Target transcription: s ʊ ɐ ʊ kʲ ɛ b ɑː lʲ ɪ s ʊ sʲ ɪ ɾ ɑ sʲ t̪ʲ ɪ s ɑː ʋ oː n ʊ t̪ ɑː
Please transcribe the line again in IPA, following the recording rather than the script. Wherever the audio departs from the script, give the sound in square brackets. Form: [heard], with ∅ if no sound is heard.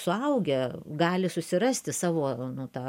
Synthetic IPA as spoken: s ʊ ɐ ʊ [ɡʲ] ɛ [ɡ] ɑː lʲ ɪ s ʊ sʲ ɪ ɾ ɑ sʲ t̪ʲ ɪ s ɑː ʋ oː n ʊ t̪ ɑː